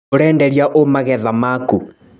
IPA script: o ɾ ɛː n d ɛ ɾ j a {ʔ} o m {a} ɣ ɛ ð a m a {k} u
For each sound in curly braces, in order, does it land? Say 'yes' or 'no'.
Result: yes, yes, yes

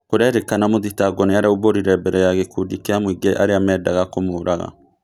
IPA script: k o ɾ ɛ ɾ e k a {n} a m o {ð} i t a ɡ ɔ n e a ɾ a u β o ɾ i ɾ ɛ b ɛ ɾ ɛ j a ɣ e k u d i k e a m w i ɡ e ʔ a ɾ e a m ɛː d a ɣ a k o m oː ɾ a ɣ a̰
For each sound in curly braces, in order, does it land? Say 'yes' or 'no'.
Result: yes, yes

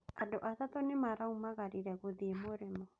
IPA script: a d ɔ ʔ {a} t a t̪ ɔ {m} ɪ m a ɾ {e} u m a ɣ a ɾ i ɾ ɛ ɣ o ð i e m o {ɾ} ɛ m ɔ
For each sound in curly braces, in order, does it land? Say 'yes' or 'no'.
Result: yes, no, no, yes

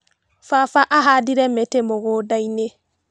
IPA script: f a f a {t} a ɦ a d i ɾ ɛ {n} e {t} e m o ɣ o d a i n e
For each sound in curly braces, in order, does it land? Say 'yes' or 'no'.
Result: no, no, yes

